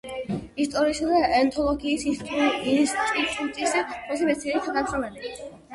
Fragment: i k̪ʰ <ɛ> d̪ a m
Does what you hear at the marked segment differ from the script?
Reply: yes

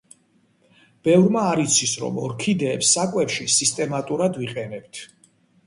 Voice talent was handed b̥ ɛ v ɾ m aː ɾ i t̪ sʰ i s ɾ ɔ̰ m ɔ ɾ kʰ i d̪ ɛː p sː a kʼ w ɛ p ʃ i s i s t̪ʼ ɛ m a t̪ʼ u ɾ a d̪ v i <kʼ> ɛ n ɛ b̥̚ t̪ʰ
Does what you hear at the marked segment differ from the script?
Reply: yes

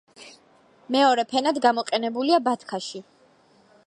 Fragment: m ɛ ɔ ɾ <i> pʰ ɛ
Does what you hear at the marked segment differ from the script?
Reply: yes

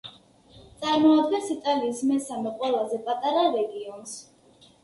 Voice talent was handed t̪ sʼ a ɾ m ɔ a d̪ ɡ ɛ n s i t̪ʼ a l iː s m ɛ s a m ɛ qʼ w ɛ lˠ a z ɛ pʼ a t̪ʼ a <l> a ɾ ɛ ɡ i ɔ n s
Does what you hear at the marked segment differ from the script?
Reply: yes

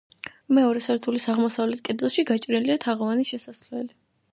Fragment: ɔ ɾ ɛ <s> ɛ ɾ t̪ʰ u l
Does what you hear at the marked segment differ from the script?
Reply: no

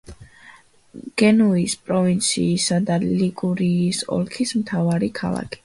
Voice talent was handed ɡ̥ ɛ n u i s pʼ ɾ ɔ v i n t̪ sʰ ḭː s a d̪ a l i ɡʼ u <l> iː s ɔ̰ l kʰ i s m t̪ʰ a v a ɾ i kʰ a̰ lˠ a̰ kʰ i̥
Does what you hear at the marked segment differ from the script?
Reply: yes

